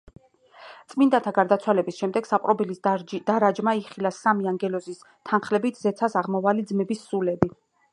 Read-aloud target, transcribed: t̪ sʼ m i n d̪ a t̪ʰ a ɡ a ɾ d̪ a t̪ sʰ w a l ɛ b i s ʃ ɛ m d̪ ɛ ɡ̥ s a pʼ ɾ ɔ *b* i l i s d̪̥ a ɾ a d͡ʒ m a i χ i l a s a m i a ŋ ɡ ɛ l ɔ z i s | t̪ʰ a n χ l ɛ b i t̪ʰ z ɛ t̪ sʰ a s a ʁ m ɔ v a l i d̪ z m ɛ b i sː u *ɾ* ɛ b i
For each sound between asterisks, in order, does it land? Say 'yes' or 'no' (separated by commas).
yes, no